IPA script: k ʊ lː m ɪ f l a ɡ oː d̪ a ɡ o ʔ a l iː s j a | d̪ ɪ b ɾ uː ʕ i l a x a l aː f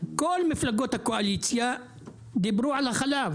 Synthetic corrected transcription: k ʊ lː m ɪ f l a ɡ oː t̪ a k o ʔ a l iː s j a | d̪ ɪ b ɾ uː ʕ a l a x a l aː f